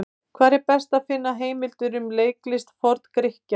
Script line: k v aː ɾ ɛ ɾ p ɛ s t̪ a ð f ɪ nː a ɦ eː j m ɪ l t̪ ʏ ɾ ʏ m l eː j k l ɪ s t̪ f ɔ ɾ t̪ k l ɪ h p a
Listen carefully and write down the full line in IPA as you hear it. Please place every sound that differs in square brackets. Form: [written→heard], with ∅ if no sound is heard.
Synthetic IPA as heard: [k→kʰ] v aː ɾ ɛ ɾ p ɛ s t̪ a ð f ɪ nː a ɦ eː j m ɪ l t̪ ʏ ɾ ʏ m l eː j k l ɪ s t̪ f ɔ ɾ t̪ k [l→ɾ] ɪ h [p→c] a